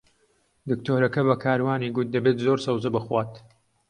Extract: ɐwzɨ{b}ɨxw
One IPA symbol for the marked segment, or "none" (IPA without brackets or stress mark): b